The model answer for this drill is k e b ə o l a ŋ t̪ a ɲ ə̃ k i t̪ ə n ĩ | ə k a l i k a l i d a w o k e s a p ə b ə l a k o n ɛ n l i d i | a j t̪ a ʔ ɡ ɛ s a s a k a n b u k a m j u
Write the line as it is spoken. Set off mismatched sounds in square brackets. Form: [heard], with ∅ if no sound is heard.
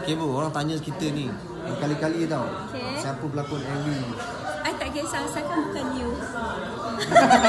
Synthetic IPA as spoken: k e b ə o [ɾ] a ŋ t̪ a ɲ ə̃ k i t̪ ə n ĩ | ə k a l i k a l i d a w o k e s a p ə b ə l a k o n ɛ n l i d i | a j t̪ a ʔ ɡ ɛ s a s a k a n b u k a [n] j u